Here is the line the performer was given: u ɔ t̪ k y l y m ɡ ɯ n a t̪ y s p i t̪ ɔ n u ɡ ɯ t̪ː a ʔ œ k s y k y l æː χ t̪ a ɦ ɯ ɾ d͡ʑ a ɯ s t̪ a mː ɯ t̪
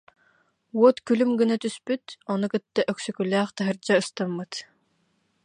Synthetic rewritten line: u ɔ t̪ k y l y m ɡ ɯ n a t̪ y s p y t̪ ɔ n u k ɯ t̪ː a ʔ œ k s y k y l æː χ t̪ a ɦ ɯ ɾ d͡ʑ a ɯ s t̪ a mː ɯ t̪